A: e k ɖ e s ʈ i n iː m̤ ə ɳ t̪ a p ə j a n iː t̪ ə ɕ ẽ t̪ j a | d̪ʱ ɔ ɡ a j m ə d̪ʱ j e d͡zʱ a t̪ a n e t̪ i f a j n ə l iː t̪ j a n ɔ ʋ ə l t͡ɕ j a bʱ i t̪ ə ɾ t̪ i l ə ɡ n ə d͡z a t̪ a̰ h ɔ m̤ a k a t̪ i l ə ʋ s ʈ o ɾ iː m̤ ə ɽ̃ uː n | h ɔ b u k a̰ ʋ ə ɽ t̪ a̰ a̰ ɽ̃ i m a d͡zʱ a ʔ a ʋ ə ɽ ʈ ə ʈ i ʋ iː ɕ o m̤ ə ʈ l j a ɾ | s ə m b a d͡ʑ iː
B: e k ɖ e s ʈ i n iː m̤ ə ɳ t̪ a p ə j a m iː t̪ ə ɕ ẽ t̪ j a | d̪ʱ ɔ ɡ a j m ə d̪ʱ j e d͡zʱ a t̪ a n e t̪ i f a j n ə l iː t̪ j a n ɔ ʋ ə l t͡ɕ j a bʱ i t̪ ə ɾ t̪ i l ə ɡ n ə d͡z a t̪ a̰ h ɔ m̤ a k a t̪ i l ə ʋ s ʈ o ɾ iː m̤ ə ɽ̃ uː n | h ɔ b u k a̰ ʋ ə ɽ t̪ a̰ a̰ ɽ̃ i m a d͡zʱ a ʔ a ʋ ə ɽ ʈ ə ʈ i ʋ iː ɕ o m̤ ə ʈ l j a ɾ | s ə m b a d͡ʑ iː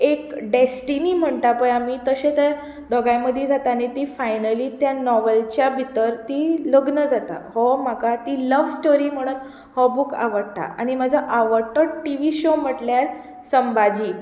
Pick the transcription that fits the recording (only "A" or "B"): B